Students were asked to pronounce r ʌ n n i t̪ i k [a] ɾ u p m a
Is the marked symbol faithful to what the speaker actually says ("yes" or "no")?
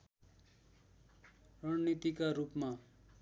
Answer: yes